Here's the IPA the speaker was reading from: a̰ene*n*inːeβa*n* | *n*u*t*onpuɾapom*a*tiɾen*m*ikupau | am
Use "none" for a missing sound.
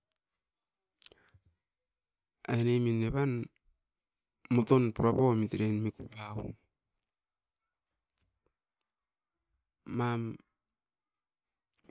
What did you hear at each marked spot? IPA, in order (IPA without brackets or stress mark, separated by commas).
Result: m, n, m, t, i, m